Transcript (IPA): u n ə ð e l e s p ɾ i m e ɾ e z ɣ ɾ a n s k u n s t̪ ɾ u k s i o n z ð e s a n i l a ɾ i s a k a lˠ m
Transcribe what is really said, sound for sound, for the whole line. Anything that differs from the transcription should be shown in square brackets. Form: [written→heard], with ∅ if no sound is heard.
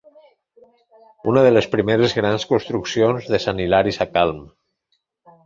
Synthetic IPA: u n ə ð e l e s p ɾ i m e ɾ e z ɣ ɾ a n s k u n s t̪ ɾ u k s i o n z ð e s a n i l a ɾ i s a k a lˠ m